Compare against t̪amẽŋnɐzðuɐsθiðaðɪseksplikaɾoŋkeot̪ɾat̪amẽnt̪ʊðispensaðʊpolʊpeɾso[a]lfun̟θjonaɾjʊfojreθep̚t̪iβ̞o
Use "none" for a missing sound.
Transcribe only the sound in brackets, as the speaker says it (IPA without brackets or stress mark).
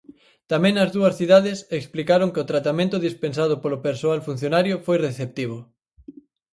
a